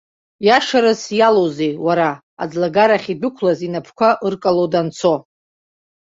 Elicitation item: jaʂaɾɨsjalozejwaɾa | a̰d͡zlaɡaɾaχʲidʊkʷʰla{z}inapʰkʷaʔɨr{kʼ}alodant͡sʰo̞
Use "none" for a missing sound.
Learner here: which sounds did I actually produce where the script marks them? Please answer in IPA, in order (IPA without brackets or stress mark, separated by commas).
z, kʼ